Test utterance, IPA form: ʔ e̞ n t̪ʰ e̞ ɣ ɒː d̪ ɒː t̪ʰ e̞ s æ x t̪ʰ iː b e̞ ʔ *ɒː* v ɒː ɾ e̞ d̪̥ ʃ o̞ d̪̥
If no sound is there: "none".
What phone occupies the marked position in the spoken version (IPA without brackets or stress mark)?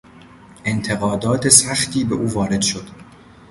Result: uː